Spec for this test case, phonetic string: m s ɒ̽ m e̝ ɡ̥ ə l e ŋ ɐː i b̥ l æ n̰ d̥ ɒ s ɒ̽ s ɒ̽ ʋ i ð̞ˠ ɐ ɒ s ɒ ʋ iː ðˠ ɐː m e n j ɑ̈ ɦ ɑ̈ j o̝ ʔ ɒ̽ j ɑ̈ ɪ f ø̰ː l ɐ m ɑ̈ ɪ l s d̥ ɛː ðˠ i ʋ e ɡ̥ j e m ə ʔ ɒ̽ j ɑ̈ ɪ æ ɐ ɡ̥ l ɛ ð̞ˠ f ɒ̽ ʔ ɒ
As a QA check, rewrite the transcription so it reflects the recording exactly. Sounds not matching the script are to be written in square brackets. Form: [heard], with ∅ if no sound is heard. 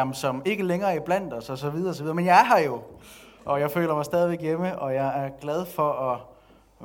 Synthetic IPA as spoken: m s ɒ̽ m e̝ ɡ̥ ə l e ŋ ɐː i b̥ l æ n̰ d̥ ɒ s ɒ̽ s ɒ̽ ʋ i ð̞ˠ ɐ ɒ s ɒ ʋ [i] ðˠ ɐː m e n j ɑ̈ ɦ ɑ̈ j o̝ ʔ ɒ̽ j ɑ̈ ɪ f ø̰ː l ɐ m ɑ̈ ɪ [∅] s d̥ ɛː ðˠ i ʋ e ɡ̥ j e m ə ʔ ɒ̽ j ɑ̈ ɪ æ ɐ ɡ̥ l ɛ ð̞ˠ f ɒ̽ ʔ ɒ